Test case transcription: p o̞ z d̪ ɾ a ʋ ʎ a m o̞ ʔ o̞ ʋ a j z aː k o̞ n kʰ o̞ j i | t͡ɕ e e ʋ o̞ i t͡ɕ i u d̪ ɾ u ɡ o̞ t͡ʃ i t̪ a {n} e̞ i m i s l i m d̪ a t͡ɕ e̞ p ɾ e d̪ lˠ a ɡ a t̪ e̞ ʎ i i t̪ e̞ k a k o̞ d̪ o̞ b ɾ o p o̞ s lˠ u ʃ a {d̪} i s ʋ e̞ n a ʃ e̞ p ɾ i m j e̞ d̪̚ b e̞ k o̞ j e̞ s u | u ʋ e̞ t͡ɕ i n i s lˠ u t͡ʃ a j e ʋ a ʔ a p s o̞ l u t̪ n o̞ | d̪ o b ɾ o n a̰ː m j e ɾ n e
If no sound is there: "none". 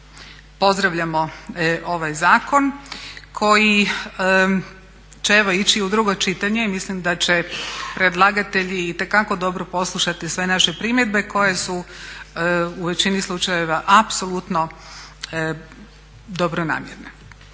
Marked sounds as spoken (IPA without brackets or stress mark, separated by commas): ɲ, t̪